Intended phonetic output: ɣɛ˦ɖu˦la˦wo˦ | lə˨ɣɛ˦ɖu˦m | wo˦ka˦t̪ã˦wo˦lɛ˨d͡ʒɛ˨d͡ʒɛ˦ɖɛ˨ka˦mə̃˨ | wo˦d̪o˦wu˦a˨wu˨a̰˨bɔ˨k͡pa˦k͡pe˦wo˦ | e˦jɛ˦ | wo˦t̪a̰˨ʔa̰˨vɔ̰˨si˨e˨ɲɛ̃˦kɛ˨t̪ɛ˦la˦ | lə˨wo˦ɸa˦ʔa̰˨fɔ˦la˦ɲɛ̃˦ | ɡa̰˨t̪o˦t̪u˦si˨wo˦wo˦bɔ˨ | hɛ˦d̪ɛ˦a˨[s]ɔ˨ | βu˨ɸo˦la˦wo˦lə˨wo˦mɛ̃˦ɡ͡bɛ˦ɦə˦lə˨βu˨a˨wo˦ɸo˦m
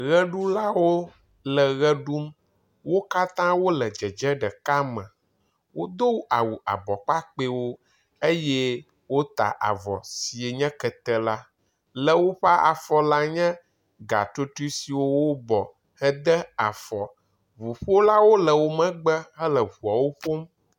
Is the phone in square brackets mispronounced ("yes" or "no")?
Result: yes